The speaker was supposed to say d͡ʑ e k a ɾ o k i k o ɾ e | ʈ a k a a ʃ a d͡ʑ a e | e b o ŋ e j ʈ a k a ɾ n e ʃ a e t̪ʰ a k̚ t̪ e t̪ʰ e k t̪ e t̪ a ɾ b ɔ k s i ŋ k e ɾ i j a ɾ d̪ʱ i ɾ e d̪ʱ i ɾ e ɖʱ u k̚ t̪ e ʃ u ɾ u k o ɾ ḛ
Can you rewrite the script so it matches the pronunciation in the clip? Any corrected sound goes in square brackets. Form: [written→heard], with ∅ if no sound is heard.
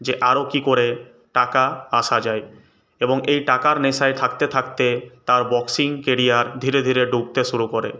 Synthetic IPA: d͡ʑ e [k→ʔ] a ɾ o k i k o ɾ e | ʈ a k a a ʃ a d͡ʑ a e | e b o ŋ e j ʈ a k a ɾ n e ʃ a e t̪ʰ a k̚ t̪ e t̪ʰ [e→a] k t̪ e t̪ a ɾ b ɔ k s i ŋ k e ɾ i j a ɾ d̪ʱ i ɾ e d̪ʱ i ɾ e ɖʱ u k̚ t̪ e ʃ u ɾ u k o ɾ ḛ

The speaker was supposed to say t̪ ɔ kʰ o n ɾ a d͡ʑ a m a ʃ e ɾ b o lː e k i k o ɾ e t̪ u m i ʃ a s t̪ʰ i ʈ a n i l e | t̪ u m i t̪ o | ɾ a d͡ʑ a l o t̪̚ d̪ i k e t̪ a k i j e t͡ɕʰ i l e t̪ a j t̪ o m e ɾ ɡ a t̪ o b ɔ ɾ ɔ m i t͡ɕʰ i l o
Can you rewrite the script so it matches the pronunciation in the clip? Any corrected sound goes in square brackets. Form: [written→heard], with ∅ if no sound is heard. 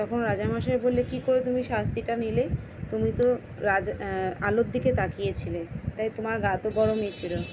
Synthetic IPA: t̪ ɔ kʰ o n ɾ a d͡ʑ a m a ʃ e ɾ b o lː e k i k o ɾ e t̪ u m i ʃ a s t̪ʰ i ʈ a n i l e | t̪ u m i t̪ o | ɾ a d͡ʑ a l o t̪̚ d̪ i k e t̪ a k i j e t͡ɕʰ i l e t̪ a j t̪ o m [e→a] ɾ ɡ a t̪ o b ɔ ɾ [ɔ→o] m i t͡ɕʰ i l o

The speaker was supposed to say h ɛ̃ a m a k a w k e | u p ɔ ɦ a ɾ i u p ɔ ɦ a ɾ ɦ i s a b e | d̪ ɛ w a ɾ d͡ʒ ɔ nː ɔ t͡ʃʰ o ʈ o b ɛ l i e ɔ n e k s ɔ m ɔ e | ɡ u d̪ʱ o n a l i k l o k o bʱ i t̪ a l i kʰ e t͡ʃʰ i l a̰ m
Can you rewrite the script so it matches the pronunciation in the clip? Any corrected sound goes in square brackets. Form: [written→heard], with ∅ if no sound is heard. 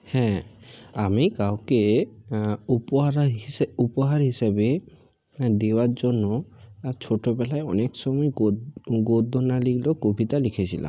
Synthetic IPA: h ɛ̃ a m [a→i] k a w k e | u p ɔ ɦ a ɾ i u p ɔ ɦ a ɾ ɦ i s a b e | d̪ [ɛ→e] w a ɾ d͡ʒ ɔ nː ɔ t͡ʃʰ o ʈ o b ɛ l [i→a] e ɔ n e k s ɔ m ɔ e | ɡ [u→o] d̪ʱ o n a l i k l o k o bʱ i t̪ a l i kʰ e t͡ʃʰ i l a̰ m

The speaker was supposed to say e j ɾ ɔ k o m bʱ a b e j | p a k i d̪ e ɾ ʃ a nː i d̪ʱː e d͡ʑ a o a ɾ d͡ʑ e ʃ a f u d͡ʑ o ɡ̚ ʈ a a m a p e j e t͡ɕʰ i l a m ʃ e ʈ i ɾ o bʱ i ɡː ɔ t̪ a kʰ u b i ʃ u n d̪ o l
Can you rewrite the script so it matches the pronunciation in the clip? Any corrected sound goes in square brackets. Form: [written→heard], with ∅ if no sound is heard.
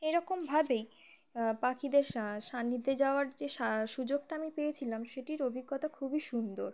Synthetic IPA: e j ɾ ɔ k o m bʱ a b e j | p a k i d̪ e ɾ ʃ a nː i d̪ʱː e d͡ʑ a o a ɾ d͡ʑ e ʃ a [f→ʃ] u d͡ʑ o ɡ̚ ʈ a a m [a→i] p e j e t͡ɕʰ i l a m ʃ e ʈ i ɾ o bʱ i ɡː ɔ t̪ a kʰ u b i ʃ u n d̪ o [l→ɾ]

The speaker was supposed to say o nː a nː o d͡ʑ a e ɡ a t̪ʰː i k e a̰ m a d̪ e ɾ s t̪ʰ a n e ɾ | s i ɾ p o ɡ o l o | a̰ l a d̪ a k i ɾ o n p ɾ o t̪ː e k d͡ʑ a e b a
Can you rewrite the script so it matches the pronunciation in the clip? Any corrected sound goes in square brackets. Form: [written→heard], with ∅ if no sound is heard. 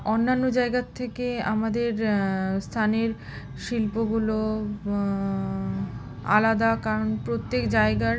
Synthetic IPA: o nː a nː o d͡ʑ a e ɡ a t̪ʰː [i→e] k e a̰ m a d̪ e ɾ s t̪ʰ a n e ɾ | [s→ʃ] i [ɾ→l] p o ɡ [o→u] l o | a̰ l a d̪ a k [i→a] ɾ o n p ɾ o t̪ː e k d͡ʑ a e [b→ɡ] a

